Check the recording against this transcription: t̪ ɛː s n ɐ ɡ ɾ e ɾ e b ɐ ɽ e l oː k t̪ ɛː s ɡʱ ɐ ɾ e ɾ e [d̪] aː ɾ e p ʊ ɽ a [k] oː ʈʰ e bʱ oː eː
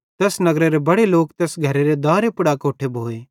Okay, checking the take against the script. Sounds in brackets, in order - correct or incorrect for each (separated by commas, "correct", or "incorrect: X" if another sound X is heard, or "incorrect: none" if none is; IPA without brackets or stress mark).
correct, correct